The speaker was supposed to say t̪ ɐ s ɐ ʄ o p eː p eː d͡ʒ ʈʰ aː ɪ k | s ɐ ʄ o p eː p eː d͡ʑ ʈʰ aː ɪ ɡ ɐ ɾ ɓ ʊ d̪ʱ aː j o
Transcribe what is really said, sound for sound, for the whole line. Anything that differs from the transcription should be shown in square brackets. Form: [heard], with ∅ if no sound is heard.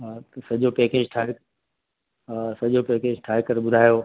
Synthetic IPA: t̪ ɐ s ɐ ʄ o p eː [k] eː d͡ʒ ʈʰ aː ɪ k | s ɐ ʄ o p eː [k] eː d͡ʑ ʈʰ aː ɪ [k] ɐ ɾ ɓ ʊ d̪ʱ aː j o